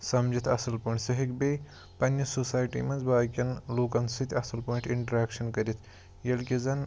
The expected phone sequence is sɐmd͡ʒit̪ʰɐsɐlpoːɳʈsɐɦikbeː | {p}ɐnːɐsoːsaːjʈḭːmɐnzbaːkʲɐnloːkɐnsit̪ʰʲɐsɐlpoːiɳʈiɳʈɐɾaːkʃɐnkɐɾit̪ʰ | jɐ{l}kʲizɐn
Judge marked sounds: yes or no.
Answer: yes, yes

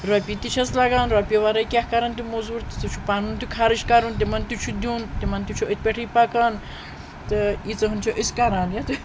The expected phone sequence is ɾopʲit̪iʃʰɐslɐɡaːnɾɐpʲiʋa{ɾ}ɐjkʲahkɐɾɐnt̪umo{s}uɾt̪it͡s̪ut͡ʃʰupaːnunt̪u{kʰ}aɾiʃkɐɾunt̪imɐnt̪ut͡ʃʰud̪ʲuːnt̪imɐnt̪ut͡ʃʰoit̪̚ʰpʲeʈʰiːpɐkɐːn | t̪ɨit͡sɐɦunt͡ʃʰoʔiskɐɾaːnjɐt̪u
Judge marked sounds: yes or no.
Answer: yes, no, yes

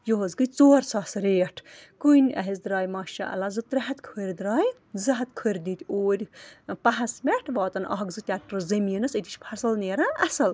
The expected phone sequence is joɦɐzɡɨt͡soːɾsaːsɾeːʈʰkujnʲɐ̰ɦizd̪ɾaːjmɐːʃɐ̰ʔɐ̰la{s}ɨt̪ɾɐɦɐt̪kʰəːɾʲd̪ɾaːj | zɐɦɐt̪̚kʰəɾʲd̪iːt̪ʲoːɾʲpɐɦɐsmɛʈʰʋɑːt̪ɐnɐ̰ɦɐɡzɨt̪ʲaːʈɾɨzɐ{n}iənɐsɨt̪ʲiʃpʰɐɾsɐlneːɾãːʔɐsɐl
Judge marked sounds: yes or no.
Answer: no, no

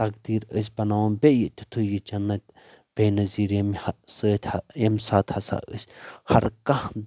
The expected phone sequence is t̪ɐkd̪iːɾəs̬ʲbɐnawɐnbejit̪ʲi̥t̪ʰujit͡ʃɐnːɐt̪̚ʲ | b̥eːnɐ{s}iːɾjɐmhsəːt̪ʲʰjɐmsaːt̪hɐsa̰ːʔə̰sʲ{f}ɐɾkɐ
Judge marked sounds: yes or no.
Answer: no, no

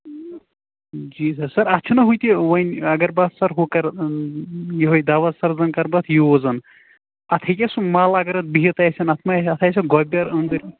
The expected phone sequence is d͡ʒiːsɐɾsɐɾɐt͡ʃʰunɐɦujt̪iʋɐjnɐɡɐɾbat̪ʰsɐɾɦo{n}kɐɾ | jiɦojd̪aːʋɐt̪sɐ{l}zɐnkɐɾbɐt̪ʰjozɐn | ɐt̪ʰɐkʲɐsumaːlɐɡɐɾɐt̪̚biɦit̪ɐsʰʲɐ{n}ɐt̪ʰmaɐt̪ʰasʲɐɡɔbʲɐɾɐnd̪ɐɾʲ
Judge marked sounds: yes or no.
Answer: no, no, yes

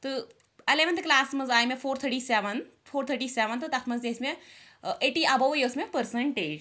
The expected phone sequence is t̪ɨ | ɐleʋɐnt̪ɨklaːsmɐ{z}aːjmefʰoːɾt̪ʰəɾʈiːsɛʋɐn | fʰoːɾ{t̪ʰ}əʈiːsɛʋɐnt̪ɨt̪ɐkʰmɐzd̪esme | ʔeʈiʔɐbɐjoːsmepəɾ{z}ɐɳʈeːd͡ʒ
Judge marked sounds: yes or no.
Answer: yes, yes, no

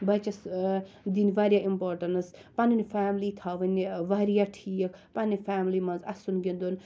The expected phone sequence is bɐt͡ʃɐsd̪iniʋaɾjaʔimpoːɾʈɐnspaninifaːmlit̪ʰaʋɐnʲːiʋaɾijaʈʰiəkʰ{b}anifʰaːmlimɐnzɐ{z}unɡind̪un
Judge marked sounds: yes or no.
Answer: no, no

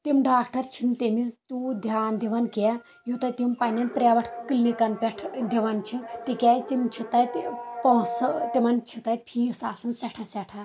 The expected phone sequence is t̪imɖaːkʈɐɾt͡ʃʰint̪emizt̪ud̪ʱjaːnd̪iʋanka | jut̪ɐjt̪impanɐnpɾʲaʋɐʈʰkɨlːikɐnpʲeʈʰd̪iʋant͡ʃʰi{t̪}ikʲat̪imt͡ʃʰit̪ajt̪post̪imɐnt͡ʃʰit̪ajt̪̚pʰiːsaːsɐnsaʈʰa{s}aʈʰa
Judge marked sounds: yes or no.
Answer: yes, yes

